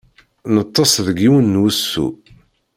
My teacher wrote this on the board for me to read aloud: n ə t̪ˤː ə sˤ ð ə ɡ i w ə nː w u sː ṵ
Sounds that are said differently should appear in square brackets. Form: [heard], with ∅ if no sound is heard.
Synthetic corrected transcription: n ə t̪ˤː [ɑ] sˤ ð ə ɡ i w ə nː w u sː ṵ

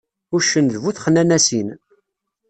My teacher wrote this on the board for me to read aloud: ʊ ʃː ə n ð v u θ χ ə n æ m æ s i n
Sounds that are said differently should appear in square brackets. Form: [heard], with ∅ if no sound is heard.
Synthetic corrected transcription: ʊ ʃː ə n ð v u θ χ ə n æ [n] æ s i n

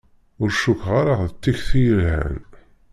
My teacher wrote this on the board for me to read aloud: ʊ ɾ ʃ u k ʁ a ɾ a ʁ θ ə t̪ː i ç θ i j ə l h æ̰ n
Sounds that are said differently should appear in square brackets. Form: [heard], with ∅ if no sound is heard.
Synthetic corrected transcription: ʊ ɾ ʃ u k ʁ a ɾ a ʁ [ð] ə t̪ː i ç θ i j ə l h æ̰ n

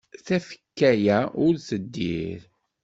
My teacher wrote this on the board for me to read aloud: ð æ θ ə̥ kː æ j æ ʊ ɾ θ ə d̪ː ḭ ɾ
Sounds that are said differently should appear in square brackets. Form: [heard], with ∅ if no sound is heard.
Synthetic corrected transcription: [θ] æ [f] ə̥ kː æ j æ ʊ ɾ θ ə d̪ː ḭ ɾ

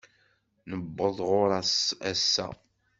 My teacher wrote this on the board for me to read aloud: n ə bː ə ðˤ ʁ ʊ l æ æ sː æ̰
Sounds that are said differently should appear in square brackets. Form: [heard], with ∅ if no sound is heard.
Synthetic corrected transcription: n ə bː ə ðˤ ʁ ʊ [ɾ] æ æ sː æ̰

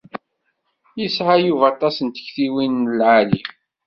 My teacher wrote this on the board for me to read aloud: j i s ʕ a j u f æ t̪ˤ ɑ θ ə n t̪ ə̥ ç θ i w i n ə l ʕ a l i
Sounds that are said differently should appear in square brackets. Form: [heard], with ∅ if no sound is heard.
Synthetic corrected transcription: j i s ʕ a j u [v] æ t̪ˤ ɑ [s] ə n t̪ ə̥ ç θ i w i n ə l ʕ a l i

